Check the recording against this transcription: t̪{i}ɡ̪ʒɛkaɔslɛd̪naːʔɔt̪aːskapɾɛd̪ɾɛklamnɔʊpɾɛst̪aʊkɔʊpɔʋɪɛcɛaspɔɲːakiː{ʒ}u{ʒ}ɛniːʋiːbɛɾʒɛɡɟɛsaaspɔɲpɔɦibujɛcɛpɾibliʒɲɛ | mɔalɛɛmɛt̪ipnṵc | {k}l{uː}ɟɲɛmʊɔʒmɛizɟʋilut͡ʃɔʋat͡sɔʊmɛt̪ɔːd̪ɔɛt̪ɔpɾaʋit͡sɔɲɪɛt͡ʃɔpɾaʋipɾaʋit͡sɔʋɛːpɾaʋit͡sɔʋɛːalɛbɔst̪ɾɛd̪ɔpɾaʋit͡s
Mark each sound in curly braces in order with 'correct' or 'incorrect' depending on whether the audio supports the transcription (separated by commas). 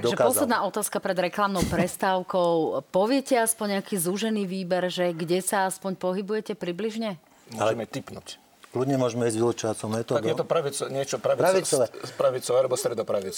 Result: incorrect, incorrect, correct, correct, incorrect